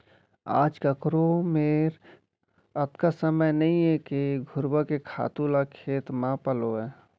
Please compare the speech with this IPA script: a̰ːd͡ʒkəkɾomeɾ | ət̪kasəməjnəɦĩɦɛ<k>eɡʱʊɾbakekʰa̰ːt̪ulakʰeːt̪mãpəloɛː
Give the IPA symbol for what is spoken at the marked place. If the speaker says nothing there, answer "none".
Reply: k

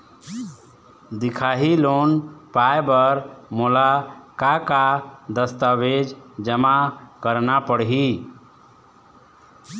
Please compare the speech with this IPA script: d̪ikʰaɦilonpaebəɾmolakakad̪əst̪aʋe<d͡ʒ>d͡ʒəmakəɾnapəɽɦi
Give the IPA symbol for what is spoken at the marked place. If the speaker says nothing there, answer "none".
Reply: d͡ʒ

